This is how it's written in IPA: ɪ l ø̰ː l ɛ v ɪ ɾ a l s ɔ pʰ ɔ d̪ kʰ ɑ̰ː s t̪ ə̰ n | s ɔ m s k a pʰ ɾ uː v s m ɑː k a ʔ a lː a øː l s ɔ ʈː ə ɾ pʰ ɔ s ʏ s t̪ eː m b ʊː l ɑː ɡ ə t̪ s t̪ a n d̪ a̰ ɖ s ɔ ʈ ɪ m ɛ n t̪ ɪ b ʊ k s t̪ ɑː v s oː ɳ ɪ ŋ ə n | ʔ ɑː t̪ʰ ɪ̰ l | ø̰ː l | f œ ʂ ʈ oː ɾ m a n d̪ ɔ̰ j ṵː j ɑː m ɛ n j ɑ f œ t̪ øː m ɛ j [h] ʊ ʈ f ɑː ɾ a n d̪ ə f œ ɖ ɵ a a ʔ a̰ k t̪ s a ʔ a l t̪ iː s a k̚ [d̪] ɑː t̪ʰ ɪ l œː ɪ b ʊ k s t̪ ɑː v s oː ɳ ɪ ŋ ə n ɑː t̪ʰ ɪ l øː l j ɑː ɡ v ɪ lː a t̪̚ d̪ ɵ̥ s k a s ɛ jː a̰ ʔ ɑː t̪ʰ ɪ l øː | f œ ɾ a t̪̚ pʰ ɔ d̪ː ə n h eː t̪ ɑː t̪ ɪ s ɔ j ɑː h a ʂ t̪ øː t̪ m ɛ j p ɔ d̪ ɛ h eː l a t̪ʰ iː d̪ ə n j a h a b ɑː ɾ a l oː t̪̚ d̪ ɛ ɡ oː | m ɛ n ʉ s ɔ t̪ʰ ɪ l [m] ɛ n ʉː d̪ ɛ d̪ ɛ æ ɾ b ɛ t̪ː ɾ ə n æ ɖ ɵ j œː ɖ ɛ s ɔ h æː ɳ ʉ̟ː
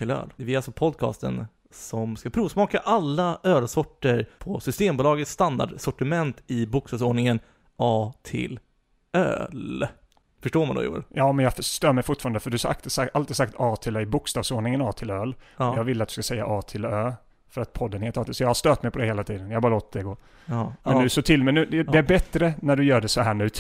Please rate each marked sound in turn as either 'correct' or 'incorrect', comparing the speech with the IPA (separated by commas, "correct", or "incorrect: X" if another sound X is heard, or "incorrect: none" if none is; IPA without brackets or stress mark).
incorrect: f, incorrect: t̪, correct